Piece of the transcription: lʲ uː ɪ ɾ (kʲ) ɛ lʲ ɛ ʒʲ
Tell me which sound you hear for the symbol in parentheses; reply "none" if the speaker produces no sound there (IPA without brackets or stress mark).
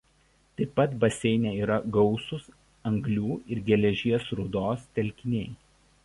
ɡʲ